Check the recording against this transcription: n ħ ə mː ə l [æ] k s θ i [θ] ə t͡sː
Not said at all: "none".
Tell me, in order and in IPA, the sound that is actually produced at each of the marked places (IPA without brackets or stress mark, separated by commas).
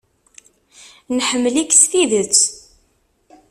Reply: i, ð